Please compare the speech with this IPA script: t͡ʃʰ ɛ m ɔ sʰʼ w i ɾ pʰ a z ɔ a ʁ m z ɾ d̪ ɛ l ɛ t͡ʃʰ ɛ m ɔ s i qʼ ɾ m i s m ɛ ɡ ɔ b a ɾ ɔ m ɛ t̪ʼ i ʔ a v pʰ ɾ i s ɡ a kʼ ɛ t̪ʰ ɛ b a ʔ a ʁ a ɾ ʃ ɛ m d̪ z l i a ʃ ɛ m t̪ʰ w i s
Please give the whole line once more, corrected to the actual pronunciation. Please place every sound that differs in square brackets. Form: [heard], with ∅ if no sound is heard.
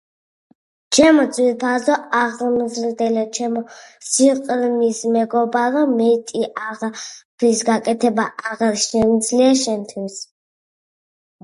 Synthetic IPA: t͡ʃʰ ɛ m ɔ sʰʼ w i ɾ pʰ a z ɔ a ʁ m z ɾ d̪ ɛ l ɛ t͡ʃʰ ɛ m ɔ s i qʼ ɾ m i s m ɛ ɡ ɔ b a ɾ ɔ m ɛ t̪ʼ i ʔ a [ʁ] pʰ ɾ i s ɡ a kʼ ɛ t̪ʰ ɛ b a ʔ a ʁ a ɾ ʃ ɛ m d̪ z l i a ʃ ɛ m t̪ʰ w i s